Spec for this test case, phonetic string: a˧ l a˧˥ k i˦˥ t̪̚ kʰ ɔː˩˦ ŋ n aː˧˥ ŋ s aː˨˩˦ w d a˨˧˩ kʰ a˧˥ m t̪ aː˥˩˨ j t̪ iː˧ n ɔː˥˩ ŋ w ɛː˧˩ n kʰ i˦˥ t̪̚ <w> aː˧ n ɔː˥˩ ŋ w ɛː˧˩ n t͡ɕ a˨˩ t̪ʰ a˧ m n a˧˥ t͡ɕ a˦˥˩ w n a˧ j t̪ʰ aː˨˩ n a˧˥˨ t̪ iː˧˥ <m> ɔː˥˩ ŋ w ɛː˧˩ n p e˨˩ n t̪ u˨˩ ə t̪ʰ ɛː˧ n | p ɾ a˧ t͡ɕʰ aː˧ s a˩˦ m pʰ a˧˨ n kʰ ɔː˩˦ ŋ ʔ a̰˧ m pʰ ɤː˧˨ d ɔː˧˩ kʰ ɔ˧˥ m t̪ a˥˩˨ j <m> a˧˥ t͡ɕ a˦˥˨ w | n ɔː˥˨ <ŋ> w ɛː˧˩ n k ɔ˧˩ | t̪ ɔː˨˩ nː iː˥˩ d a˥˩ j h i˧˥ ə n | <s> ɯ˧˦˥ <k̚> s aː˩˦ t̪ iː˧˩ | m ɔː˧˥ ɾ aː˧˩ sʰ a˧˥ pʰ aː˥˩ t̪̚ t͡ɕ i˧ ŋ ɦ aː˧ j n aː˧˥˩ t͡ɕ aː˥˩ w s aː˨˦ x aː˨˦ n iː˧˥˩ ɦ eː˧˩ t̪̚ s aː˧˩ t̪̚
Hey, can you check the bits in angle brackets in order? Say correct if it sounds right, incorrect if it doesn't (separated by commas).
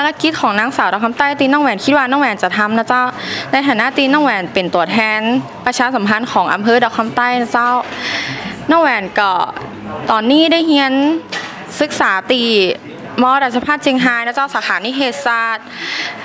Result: correct, incorrect, incorrect, correct, correct, correct